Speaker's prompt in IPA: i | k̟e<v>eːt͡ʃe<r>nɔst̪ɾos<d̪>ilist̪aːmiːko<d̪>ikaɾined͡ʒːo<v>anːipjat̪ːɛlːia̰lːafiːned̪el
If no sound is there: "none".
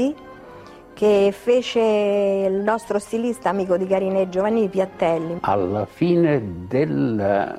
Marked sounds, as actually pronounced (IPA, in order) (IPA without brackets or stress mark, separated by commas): f, l, t̪, d̪, v